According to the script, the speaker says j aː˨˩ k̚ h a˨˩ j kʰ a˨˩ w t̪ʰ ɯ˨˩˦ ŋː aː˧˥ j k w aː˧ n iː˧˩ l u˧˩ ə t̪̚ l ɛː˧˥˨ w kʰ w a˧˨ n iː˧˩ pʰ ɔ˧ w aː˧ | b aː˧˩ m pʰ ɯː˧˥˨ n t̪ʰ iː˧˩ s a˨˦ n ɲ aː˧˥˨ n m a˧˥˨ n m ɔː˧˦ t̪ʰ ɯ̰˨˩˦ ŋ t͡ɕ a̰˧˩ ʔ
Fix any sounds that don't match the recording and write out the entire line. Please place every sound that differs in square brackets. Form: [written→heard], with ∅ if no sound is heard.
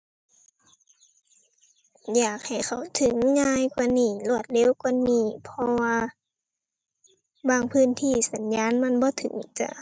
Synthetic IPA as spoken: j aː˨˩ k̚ h a˨˩ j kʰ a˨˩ w t̪ʰ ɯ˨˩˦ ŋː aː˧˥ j k w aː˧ n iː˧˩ l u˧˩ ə t̪̚ l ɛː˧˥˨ w [kʰ→k] w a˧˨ n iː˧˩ pʰ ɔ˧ w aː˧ | b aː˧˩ [m→ŋ] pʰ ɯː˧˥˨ n t̪ʰ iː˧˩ s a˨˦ n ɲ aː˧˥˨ n m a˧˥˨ n [m→b] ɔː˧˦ t̪ʰ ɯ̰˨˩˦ ŋ t͡ɕ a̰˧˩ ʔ